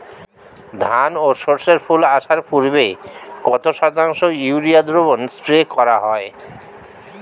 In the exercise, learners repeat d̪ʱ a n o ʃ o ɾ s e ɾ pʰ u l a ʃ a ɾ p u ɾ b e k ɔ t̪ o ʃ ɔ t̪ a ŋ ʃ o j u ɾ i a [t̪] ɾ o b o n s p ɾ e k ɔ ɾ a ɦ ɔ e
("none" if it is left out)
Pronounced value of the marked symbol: d̪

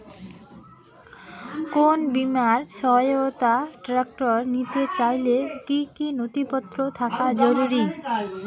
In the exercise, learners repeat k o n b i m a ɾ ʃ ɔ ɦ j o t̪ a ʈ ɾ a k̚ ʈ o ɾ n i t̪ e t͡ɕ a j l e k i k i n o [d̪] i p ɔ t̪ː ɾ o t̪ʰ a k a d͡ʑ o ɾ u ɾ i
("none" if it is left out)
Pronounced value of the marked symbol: t̪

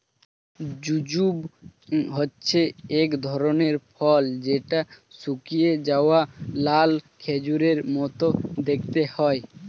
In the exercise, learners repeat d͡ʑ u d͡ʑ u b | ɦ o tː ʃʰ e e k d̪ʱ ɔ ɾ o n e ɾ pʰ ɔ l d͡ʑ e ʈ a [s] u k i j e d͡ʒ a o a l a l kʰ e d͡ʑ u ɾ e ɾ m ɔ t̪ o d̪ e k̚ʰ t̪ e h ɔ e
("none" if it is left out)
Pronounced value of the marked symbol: s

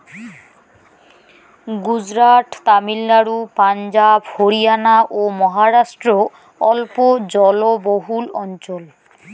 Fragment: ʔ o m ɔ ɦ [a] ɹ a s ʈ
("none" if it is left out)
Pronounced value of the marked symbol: a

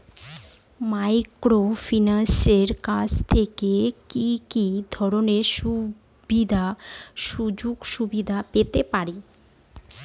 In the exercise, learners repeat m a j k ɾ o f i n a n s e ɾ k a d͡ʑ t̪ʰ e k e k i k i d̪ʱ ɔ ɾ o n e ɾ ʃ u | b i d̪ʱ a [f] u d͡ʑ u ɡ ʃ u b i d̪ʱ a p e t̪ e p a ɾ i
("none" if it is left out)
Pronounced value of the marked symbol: ʃ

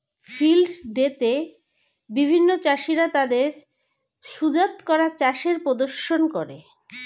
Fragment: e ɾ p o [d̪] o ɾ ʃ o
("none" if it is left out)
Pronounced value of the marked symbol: d̪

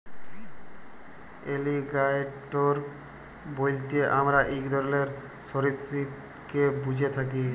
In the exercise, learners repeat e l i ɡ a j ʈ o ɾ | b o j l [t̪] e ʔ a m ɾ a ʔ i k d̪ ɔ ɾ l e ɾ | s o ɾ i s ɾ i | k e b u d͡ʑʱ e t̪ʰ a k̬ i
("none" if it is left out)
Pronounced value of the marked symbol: t̪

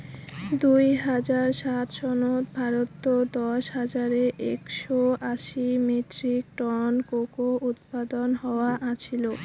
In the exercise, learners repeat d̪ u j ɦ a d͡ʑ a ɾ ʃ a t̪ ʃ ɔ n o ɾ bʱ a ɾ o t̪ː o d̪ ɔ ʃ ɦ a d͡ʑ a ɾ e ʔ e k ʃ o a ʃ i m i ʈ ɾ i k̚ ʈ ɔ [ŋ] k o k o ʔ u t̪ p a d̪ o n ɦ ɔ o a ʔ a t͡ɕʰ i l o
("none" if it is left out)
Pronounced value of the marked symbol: n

